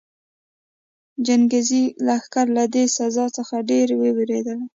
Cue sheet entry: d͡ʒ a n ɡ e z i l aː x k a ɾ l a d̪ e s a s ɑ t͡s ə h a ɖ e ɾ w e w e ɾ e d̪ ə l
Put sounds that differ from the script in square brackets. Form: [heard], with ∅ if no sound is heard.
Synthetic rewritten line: d͡ʒ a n ɡ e z i l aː x k a ɾ l a d̪ e s a [z] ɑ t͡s ə [x] a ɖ e ɾ w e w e ɾ e d̪ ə l